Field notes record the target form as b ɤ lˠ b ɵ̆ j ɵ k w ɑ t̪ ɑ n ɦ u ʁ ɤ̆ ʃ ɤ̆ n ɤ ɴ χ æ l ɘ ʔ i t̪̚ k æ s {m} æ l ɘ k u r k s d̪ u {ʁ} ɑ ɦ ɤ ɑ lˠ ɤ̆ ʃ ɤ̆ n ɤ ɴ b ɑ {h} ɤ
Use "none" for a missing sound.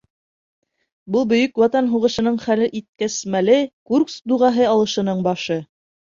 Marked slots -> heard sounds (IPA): m, ʁ, ʃ

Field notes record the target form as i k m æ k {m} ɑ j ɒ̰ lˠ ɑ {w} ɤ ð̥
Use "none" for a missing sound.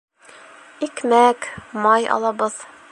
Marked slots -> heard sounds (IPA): m, b

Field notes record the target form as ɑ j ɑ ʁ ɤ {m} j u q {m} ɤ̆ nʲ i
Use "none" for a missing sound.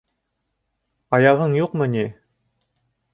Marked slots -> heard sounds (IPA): ɴ, m

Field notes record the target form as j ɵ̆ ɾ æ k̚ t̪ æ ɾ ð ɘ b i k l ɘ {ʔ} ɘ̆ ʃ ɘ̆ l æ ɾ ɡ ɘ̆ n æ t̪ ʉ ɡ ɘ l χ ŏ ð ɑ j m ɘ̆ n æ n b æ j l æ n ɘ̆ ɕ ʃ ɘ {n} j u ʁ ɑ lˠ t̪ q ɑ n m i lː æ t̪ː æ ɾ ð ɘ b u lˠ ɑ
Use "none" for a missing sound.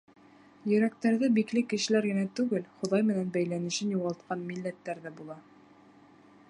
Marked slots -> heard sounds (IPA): k, n

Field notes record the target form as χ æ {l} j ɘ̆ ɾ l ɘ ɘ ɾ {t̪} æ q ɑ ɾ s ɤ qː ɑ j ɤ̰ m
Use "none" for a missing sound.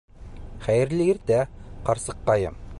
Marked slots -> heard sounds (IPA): none, t̪

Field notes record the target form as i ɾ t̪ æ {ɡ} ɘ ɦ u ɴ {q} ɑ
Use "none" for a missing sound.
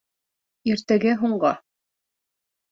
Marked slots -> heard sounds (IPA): ɡ, ɢ

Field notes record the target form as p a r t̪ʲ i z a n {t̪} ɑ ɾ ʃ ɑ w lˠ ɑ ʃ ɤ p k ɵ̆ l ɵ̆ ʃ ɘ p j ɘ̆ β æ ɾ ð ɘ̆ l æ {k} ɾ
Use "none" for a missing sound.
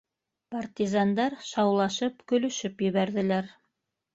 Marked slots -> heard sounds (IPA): d̪, none

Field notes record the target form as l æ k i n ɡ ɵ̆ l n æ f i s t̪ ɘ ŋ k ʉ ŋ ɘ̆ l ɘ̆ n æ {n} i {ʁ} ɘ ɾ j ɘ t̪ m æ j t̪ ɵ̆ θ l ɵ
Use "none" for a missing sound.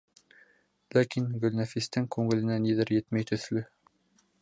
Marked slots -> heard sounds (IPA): n, ð

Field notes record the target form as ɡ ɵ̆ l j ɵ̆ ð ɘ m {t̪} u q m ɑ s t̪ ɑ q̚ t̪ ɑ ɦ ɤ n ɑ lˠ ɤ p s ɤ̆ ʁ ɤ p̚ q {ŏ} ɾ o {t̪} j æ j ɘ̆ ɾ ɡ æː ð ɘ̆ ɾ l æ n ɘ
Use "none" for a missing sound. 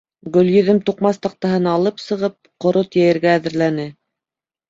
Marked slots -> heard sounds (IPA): t̪, ŏ, t̪

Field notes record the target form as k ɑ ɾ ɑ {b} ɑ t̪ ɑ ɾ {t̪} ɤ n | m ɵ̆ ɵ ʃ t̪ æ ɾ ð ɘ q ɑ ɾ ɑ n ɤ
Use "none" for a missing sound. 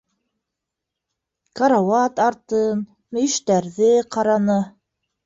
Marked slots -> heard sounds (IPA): w, t̪

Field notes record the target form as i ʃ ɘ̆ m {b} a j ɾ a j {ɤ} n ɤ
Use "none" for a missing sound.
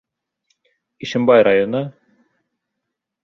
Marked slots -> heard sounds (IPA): b, o

